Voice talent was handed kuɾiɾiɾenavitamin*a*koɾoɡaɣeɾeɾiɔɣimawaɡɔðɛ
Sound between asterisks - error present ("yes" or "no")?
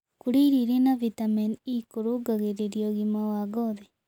yes